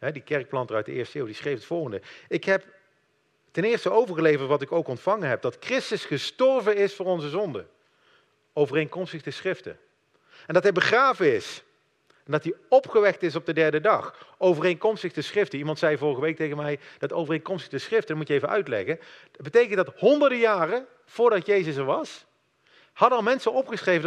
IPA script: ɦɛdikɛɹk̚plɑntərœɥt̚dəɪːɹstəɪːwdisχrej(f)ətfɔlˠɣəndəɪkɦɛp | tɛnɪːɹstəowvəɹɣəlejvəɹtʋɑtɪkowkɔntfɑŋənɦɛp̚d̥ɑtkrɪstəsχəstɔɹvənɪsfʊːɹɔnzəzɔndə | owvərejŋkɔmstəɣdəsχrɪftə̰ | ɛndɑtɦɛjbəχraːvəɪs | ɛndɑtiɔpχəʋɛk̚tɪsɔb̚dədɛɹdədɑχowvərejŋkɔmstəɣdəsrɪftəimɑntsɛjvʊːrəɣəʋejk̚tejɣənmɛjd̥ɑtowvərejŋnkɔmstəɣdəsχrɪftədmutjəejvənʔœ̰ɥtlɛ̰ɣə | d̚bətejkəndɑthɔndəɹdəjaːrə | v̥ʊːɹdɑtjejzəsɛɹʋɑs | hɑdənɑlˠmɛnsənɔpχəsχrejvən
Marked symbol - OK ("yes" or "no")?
yes